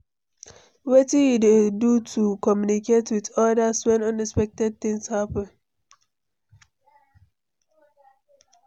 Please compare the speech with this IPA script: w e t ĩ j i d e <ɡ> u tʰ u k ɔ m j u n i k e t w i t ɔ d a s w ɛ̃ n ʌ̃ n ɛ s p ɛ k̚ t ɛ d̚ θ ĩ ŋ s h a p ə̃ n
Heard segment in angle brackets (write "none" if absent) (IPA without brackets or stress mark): d